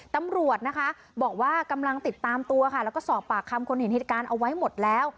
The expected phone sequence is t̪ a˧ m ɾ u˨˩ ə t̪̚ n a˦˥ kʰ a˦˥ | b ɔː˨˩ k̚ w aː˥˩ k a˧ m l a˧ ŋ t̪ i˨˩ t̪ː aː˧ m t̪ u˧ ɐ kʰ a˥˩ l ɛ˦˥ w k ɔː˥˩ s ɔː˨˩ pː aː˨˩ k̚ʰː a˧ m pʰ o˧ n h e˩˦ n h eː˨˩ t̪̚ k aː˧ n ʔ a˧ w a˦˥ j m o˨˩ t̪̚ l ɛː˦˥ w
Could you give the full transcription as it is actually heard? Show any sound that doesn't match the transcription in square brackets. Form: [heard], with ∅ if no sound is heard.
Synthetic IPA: t̪ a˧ m ɾ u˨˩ ə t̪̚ n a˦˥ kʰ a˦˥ | b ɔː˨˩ k̚ w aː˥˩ k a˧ m l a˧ ŋ t̪ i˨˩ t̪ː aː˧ m t̪ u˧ ɐ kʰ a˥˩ l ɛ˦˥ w k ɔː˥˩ s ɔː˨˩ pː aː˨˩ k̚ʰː a˧ m [kʰ] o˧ n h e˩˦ n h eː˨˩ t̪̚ k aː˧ n ʔ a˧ w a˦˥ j m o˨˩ t̪̚ l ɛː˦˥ w